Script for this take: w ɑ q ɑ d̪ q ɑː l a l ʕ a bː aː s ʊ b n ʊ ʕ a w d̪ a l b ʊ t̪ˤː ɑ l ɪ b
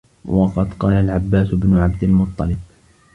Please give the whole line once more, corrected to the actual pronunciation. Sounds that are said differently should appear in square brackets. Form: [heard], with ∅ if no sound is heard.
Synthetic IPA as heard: w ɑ q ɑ d̪ q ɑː l a l ʕ a bː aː s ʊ b n ʊ ʕ a [b] d̪ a l [m] ʊ t̪ˤː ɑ l ɪ b